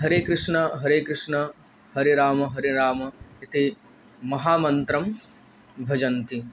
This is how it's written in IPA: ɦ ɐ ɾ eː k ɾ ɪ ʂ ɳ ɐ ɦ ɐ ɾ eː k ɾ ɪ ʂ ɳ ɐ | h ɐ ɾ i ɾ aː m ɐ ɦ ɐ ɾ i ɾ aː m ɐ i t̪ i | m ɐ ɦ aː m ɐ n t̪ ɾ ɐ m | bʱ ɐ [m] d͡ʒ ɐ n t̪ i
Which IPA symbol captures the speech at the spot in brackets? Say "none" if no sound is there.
none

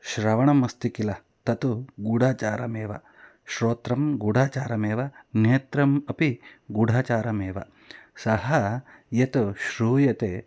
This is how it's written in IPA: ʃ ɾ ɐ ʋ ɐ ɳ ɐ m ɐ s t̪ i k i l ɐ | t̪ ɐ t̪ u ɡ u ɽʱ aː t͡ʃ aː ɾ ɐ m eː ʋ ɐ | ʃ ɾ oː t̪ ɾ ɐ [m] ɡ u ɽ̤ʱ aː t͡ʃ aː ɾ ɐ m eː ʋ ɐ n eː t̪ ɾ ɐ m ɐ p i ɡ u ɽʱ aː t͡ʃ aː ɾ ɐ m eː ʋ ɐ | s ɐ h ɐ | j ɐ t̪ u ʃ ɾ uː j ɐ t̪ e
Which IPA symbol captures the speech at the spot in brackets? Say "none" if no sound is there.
m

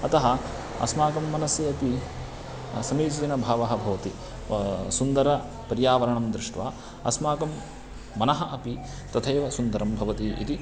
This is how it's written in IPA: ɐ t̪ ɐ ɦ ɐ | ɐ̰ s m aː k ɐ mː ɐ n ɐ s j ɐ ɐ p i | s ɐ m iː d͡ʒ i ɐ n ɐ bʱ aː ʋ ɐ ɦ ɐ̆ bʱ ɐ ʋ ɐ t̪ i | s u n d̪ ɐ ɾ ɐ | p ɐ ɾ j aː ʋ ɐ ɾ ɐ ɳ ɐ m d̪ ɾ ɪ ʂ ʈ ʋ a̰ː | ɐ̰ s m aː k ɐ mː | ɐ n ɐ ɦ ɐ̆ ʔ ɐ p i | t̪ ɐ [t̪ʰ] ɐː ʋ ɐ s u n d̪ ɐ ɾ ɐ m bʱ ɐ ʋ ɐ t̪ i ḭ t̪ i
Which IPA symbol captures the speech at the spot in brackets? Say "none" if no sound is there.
t̪ʰ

